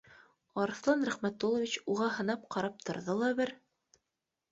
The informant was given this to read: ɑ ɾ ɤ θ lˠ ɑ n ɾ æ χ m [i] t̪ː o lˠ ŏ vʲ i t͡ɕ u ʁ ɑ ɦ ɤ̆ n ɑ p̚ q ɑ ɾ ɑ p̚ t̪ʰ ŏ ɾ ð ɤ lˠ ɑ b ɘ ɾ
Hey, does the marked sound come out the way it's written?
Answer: no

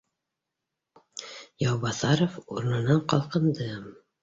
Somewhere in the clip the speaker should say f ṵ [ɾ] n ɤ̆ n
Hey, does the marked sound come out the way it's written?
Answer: yes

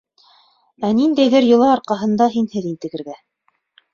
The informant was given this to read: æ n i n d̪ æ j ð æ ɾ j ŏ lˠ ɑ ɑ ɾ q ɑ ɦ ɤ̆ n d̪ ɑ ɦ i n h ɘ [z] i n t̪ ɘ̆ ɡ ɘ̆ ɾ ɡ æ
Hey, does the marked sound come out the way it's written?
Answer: no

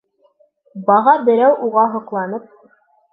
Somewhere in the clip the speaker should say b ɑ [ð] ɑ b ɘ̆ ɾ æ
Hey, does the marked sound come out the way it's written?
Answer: no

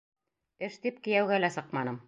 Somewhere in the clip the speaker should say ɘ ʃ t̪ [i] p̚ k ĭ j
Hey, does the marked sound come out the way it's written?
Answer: yes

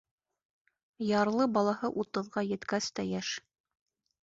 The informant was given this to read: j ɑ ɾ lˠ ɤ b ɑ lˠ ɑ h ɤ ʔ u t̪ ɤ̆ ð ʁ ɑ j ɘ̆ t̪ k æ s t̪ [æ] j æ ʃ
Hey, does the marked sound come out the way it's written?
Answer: yes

